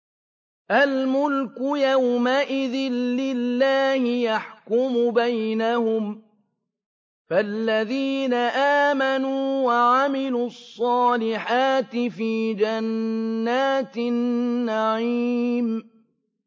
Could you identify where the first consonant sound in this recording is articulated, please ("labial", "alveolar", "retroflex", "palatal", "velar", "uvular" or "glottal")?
glottal